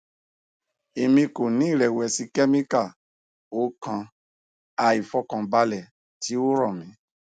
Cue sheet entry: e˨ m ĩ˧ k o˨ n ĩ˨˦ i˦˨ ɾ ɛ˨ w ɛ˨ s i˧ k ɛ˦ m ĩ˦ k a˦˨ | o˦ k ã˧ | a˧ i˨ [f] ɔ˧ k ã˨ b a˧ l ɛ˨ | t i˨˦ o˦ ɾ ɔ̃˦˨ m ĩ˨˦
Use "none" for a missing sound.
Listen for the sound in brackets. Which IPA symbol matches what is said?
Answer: f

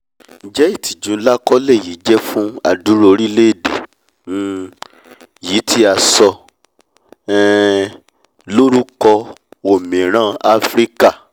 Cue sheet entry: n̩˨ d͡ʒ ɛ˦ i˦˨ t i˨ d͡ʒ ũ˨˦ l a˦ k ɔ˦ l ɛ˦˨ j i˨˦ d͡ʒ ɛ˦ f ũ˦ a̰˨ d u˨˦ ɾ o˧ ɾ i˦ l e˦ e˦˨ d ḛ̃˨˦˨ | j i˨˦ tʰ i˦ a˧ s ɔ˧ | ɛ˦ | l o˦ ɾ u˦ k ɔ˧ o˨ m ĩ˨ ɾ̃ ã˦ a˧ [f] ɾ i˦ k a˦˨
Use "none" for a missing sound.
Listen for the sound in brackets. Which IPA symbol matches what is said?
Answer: f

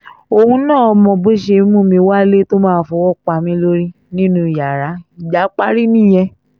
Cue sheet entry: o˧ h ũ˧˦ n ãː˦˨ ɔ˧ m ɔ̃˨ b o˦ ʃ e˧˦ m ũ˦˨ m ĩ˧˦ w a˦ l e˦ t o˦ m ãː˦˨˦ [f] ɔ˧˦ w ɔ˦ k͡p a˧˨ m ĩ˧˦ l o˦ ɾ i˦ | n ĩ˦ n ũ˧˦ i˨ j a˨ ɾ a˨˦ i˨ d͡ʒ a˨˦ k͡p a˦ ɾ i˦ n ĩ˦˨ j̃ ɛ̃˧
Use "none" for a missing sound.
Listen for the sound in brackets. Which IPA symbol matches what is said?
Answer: f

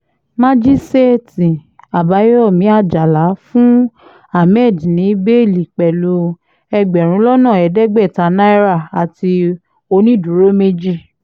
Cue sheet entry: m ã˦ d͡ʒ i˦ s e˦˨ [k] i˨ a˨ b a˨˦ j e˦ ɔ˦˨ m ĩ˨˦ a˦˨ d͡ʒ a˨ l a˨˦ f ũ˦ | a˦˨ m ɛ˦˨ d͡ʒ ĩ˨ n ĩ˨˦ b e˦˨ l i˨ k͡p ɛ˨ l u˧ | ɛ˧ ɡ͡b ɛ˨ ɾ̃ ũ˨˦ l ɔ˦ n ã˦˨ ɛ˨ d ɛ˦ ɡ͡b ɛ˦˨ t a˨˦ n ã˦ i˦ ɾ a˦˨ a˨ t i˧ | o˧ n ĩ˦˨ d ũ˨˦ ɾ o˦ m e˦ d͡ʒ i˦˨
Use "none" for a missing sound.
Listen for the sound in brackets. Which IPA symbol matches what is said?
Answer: t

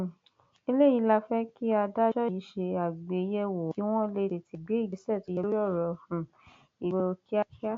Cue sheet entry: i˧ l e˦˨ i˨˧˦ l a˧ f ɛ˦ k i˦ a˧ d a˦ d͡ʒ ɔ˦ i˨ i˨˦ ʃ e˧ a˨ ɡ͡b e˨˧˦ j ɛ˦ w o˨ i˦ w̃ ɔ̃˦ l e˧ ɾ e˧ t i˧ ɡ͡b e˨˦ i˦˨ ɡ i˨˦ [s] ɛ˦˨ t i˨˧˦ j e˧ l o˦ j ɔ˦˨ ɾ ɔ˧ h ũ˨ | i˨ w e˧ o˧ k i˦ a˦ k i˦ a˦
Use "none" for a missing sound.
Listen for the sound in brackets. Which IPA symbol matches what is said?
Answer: s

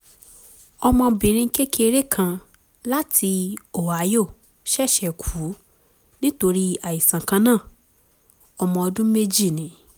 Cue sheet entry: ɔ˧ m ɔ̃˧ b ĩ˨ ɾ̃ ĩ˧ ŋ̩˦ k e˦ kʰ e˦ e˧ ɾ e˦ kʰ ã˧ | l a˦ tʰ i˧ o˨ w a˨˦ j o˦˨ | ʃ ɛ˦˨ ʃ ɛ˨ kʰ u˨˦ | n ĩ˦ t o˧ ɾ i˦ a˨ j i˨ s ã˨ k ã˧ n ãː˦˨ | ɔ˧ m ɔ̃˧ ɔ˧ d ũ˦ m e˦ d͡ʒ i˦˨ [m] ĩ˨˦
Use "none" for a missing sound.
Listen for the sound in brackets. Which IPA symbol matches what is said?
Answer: n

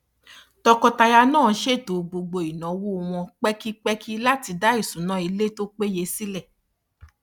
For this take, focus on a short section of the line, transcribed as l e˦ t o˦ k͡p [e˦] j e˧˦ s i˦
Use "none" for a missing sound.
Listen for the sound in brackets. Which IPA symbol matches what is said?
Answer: e˦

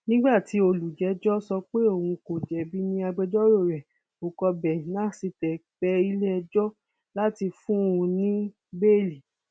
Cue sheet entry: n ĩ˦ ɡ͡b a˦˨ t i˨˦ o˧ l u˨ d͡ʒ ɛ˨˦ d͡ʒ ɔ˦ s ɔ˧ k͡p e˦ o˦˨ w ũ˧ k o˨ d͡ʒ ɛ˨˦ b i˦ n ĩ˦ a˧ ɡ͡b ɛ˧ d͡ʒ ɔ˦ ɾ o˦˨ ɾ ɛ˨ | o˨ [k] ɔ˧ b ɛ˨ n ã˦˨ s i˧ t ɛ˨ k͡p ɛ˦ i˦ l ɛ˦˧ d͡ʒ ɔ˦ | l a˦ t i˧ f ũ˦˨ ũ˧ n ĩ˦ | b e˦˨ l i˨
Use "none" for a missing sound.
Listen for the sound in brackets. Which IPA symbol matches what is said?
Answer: k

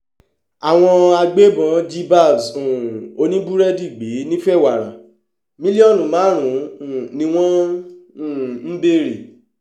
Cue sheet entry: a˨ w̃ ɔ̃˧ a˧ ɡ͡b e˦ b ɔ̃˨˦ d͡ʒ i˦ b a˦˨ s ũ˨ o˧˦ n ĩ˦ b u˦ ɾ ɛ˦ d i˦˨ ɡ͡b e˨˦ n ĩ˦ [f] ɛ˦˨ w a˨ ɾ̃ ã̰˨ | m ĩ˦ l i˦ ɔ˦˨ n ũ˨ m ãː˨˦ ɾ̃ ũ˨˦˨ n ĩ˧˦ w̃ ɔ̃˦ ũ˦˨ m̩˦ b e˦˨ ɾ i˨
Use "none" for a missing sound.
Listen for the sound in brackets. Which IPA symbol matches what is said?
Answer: f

